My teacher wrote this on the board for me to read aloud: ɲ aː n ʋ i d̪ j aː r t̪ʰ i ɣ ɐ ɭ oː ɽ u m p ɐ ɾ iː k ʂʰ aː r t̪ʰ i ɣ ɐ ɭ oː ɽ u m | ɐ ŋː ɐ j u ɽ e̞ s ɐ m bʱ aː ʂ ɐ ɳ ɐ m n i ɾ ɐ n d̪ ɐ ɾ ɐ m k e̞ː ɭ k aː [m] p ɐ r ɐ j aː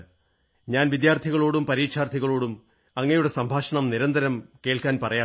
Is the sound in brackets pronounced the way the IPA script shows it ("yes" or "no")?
no